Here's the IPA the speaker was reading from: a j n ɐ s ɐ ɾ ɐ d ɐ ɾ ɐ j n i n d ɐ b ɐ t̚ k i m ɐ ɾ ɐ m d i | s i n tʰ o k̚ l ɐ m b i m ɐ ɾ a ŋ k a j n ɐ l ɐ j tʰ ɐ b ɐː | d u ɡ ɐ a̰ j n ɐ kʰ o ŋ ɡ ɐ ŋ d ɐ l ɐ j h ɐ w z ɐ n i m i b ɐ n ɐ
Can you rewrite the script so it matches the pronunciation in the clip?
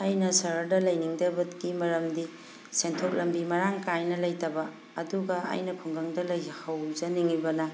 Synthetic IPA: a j n ɐ s ɐ ɾ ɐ d ɐ l ɐ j n i ŋ d ɐ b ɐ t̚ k i m ɐ ɾ ɐ m d i | s e n tʰ o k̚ l ɐ m b i m ɐ ɾ a ŋ k a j n ɐ l ɐ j t ɐ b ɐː | d u ɡ ɐ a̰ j n ɐ pʰ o ŋ ɡ ɐ ŋ d ɐ l ɐ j h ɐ w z ɐ n i ŋ i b ɐ n ɐ